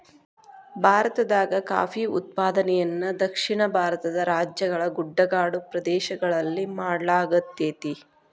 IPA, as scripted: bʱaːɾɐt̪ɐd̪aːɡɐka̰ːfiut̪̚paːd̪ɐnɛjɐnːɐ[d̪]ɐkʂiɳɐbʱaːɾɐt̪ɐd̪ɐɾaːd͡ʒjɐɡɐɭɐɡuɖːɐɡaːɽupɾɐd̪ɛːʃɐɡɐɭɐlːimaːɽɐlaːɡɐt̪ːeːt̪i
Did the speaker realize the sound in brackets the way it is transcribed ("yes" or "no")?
yes